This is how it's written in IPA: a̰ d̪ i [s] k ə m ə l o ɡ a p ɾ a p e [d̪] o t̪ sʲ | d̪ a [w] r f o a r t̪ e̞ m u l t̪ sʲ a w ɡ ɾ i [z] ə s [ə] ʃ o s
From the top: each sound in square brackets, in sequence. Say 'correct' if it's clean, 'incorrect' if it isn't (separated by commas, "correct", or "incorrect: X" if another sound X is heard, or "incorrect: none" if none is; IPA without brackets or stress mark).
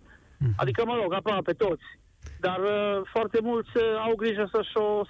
incorrect: none, incorrect: t̪, incorrect: none, incorrect: ʒ, correct